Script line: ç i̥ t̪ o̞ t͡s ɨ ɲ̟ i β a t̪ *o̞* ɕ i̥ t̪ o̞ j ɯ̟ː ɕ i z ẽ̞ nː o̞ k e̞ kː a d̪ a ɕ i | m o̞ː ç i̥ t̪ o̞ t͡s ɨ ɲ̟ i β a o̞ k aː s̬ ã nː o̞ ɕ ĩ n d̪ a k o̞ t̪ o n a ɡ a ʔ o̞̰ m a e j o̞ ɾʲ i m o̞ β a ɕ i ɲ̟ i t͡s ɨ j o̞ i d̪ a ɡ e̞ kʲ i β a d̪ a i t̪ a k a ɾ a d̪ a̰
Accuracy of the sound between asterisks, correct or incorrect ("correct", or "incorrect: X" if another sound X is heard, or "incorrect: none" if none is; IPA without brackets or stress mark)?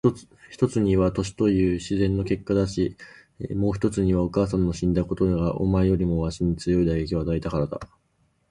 correct